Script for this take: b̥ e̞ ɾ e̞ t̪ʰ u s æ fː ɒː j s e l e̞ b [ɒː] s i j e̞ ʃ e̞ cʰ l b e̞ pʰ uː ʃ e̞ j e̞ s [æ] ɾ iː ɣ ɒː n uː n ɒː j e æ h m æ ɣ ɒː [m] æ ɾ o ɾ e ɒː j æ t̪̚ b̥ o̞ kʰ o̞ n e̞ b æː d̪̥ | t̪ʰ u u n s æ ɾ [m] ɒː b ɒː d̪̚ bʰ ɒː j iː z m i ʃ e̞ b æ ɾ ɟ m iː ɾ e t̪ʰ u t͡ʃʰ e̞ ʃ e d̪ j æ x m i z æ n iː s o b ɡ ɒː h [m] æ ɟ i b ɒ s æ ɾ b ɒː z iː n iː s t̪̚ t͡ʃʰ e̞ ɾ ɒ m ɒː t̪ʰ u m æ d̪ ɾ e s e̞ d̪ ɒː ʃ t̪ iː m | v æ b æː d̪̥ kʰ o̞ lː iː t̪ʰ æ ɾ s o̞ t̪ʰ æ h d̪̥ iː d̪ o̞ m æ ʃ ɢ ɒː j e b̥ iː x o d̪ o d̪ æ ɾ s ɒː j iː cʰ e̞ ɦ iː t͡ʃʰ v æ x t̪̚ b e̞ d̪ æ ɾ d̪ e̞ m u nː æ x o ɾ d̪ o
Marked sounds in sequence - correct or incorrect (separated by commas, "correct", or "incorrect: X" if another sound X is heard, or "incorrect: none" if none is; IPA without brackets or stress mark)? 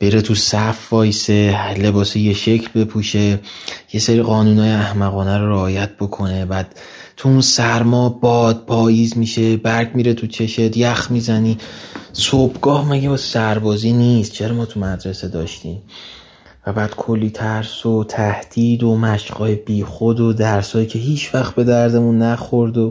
correct, incorrect: e, incorrect: n, correct, correct